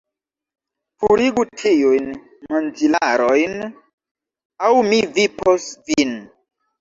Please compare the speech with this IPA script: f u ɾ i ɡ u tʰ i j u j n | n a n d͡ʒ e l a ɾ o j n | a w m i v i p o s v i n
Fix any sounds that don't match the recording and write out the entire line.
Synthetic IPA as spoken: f u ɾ i ɡ u tʰ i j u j n | m a n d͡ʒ i l a ɾ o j n | a w m i v i p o s v i n